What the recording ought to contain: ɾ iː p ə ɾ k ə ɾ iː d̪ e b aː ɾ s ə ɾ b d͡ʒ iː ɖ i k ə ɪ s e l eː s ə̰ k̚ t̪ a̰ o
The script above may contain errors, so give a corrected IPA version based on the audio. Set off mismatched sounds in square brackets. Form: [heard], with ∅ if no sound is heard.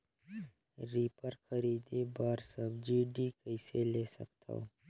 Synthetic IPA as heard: ɾ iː p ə ɾ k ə ɾ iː d̪ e b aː ɾ s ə [∅] b d͡ʒ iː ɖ i k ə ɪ s e l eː s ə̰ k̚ t̪ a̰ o

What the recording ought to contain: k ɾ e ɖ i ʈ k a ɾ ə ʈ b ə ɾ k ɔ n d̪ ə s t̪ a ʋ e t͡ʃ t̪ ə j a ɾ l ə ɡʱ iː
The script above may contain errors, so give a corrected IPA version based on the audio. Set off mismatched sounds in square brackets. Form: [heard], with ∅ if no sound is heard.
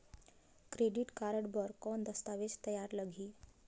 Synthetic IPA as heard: k ɾ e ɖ i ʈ k a ɾ ə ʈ b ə ɾ k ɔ n d̪ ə s t̪ a ʋ e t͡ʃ t̪ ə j a ɾ l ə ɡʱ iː

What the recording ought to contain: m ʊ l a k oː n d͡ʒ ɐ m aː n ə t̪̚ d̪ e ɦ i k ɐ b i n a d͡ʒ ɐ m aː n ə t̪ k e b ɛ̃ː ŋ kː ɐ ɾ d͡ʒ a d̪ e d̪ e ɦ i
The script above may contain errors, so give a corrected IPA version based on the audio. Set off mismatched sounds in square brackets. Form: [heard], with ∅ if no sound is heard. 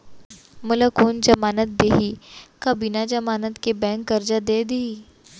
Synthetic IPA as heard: m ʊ l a k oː n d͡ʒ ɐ m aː n ə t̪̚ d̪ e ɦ i k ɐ b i n a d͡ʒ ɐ m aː n ə t̪ k e b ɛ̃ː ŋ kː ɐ ɾ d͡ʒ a d̪ e d̪ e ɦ i

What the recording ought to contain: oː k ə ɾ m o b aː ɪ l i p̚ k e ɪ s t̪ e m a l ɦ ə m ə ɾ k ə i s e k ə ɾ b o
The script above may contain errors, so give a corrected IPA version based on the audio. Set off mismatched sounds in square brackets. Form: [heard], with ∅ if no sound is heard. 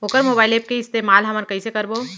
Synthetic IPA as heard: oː k ə ɾ m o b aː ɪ l [e] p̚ k e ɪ s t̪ e m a l ɦ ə m ə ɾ k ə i s e k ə ɾ b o

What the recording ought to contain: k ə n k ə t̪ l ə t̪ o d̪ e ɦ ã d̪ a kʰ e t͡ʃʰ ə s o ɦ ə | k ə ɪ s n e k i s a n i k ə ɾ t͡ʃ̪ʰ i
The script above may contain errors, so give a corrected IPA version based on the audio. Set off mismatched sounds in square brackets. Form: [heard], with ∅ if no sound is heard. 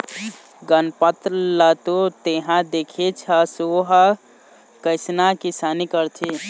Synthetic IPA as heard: [ɡ] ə n [p] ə t̪ l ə t̪ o [t̪] e ɦ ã d̪ [e] kʰ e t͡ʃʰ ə s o ɦ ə | k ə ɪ s n [a] k i s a n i k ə ɾ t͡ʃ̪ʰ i

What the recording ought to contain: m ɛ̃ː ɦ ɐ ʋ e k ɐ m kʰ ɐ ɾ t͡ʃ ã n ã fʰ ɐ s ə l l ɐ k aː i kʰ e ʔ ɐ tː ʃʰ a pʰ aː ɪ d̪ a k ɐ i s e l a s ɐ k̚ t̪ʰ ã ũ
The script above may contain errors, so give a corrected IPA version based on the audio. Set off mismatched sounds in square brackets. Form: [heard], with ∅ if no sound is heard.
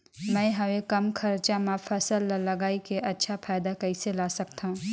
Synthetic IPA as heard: m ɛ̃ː ɦ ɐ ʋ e k ɐ m kʰ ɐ ɾ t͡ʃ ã [m] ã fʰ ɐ s ə l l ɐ [ɡ] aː i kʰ e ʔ ɐ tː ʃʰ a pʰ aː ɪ d̪ a k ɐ i s e l a s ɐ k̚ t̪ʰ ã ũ

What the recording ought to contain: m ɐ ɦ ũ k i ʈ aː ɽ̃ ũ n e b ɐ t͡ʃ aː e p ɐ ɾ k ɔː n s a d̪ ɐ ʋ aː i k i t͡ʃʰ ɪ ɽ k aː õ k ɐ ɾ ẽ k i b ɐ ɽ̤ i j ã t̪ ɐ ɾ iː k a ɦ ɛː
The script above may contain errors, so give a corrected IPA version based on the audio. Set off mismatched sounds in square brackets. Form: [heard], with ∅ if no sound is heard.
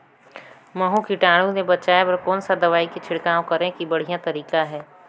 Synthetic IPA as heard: m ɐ ɦ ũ k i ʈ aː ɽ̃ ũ n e b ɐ t͡ʃ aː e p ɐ ɾ k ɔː n s a d̪ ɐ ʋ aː i k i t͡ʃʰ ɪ ɽ k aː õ k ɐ ɾ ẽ k i b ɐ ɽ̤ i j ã t̪ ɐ ɾ iː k a ɦ ɛː

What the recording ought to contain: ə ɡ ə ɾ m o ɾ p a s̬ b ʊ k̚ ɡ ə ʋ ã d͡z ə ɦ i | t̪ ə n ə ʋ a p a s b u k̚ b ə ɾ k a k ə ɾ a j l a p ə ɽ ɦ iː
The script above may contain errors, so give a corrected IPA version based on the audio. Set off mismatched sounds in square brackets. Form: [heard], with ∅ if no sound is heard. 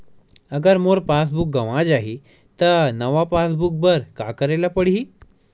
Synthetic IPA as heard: ə ɡ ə ɾ m o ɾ p a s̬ b [u] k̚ ɡ ə ʋ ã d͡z [a] ɦ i | t̪ ə n ə ʋ a p a s b u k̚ b ə ɾ k a k ə ɾ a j l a p ə ɽ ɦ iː

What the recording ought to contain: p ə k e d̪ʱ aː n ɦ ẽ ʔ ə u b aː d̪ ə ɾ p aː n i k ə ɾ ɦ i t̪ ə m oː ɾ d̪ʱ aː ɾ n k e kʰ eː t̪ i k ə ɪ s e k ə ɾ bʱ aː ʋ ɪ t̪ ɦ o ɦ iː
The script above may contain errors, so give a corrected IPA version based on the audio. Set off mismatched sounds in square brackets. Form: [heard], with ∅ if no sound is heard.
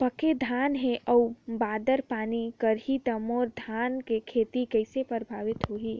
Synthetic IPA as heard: p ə k e d̪ʱ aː n ɦ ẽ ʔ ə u b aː d̪ ə ɾ p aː n i k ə ɾ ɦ i t̪ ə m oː ɾ d̪ʱ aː [∅] n k e kʰ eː t̪ i k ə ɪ s e [p] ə ɾ bʱ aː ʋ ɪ t̪ ɦ o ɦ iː

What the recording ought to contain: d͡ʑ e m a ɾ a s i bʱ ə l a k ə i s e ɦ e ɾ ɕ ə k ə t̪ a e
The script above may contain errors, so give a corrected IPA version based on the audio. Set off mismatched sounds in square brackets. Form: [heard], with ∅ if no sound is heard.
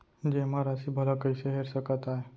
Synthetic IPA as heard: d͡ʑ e m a ɾ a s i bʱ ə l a k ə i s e ɦ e ɾ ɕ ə k ə t̪ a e

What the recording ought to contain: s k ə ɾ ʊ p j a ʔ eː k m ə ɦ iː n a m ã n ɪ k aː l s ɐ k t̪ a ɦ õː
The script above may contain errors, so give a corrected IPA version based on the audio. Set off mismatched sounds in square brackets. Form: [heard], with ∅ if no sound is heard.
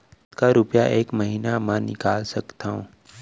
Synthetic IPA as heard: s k [a] ɾ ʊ p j a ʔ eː k m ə ɦ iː n a m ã n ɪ k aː l s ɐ k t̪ a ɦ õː

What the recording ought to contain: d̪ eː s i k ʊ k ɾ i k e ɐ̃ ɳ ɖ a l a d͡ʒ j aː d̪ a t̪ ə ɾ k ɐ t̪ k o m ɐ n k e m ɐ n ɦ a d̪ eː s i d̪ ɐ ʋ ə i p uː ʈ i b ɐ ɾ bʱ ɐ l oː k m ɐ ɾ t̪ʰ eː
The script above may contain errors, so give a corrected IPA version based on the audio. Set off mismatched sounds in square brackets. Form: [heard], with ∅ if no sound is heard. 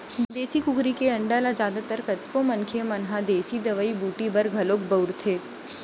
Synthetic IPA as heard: d̪ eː s i k ʊ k ɾ i k e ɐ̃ ɳ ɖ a l a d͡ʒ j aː d̪ a t̪ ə ɾ k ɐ t̪ k o m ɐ n [kʰ] e m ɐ n ɦ a d̪ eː s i d̪ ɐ ʋ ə i [b] uː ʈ i b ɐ ɾ [ɡʱ] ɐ l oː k [b] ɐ ɾ t̪ʰ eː

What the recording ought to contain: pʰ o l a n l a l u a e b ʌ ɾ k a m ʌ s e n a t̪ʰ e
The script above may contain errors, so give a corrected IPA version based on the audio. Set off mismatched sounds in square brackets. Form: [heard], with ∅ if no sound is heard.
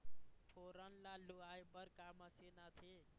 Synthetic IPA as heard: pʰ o [ɾ] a n l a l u a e b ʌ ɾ k a m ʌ s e n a t̪ʰ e

